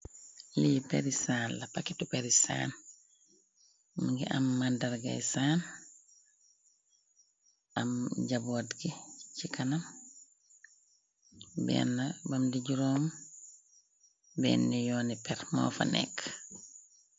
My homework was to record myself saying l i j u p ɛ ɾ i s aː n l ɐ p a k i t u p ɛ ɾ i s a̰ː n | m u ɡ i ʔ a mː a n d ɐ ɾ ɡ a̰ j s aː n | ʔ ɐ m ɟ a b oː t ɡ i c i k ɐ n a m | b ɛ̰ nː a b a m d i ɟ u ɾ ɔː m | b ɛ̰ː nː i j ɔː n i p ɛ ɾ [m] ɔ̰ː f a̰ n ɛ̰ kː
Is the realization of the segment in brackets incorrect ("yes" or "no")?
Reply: no